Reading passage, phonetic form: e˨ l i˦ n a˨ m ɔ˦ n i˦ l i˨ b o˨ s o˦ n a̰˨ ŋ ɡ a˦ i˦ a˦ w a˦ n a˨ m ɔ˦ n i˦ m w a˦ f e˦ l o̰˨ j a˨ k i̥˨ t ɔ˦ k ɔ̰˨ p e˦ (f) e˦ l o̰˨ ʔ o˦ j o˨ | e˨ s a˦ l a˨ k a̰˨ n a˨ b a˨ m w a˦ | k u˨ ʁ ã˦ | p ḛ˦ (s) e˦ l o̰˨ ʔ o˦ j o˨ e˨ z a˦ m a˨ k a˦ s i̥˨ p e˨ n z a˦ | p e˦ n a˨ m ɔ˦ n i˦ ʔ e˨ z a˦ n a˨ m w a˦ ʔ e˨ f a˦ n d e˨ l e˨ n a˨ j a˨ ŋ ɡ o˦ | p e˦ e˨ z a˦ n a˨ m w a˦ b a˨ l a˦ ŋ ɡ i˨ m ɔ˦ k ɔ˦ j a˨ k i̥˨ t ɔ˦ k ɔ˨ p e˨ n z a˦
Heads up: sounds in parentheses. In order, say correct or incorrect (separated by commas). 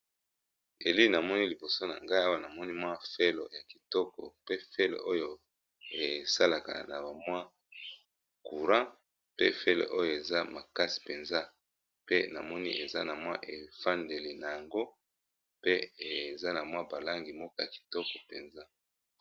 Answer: correct, incorrect